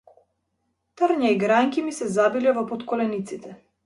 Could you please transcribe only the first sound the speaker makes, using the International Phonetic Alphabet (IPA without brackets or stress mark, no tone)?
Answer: t̪